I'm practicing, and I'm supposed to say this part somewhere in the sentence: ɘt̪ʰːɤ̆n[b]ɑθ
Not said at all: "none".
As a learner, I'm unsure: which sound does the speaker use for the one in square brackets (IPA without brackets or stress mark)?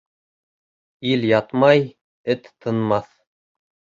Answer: m